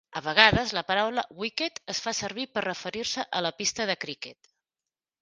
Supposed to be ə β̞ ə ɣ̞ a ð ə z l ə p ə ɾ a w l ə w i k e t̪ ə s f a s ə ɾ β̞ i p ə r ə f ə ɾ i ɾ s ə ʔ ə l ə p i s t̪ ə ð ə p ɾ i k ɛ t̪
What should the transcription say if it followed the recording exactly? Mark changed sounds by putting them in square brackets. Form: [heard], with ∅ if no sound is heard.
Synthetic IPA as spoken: ə β̞ ə ɣ̞ a ð ə z l ə p ə ɾ a w l ə w i k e t̪ ə s f a s ə ɾ β̞ i p ə r ə f ə ɾ i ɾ s ə ʔ ə l ə p i s t̪ ə ð ə [k] ɾ i k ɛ t̪